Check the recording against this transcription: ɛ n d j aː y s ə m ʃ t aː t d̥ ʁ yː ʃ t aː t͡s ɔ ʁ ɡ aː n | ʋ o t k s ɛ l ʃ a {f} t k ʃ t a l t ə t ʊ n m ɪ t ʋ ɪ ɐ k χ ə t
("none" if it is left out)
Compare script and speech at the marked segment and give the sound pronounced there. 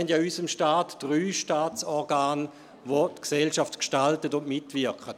f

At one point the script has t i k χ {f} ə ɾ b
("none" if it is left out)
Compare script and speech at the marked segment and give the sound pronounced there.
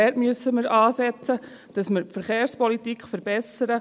f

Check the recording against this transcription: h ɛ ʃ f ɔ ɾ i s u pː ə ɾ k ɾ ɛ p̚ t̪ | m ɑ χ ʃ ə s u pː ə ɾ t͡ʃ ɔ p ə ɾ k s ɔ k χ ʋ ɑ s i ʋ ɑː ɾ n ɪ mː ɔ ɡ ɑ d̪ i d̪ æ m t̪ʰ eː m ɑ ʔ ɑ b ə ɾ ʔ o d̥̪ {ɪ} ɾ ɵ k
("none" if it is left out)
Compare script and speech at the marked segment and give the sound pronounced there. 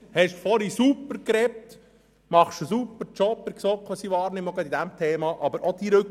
i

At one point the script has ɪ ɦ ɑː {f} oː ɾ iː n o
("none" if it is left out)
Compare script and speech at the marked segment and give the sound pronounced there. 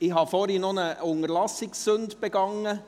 f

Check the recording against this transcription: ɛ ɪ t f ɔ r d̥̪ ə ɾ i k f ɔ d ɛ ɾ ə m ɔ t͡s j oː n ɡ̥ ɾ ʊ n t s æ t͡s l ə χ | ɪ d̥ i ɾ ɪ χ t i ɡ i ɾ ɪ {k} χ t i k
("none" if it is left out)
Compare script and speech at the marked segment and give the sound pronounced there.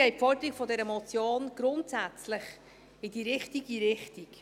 none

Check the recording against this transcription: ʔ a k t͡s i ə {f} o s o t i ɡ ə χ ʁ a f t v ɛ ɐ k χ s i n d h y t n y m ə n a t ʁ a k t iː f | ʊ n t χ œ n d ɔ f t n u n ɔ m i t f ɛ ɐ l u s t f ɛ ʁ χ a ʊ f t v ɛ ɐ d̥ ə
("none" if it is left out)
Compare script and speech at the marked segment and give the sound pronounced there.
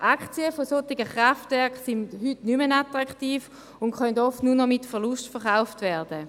f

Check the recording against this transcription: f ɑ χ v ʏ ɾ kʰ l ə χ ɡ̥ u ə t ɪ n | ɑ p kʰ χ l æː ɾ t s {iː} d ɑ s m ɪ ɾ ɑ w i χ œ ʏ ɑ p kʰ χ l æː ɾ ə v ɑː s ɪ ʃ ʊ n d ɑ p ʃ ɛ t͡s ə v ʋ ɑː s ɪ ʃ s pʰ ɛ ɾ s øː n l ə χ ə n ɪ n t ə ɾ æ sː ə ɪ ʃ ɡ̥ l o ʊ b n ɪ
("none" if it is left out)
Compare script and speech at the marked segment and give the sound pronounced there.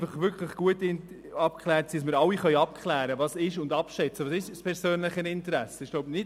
i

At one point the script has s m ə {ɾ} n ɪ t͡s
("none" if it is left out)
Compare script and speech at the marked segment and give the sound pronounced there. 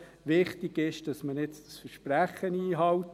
none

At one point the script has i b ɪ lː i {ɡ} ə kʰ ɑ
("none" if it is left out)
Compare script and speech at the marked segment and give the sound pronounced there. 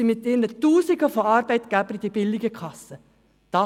ɡ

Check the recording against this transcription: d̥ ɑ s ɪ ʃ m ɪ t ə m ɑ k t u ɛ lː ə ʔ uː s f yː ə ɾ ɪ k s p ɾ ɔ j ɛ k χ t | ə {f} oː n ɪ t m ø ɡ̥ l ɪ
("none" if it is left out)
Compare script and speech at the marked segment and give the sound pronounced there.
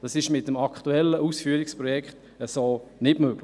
s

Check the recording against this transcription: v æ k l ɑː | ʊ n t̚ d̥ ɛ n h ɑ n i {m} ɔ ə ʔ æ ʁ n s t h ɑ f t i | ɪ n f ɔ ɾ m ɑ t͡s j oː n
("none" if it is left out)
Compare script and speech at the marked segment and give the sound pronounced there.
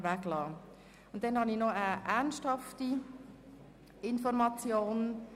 n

